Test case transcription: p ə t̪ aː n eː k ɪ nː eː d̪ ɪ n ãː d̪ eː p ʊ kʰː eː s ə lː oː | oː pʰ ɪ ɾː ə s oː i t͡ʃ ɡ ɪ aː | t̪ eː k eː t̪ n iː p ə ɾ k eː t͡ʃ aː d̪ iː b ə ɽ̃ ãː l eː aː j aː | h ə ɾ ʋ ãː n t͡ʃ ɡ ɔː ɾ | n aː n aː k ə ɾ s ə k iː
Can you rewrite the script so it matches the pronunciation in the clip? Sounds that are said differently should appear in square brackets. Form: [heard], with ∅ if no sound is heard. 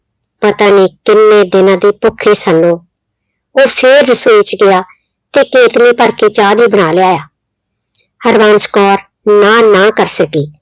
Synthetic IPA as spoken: p ə t̪ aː n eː k ɪ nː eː d̪ ɪ n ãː d̪ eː p ʊ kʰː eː s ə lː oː | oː pʰ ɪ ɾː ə s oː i t͡ʃ ɡ ɪ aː | t̪ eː k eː t̪ n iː p ə ɾ k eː t͡ʃ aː d̪ iː b ə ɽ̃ [aː] l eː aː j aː | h ə ɾ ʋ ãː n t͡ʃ [k] ɔː ɾ | n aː n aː k ə ɾ s ə k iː